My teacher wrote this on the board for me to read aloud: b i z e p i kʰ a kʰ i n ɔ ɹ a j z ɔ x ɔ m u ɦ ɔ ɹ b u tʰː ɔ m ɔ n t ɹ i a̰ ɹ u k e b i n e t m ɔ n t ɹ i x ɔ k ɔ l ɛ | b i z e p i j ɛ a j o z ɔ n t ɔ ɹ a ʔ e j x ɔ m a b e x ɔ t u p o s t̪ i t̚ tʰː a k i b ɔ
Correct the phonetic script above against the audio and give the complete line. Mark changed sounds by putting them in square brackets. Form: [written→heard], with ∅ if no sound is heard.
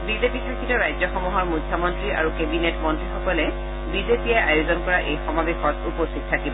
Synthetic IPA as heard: b i z e p i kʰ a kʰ i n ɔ ɹ a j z ɔ x ɔ m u ɦ ɔ ɹ [b→m] u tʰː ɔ m ɔ n t ɹ i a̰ ɹ u k e b i n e t m ɔ n t ɹ i x ɔ k ɔ l ɛ | b i z e p i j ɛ a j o z ɔ n [t→k] ɔ ɹ a ʔ e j x ɔ m a b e x ɔ t u p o s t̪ i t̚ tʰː a k i b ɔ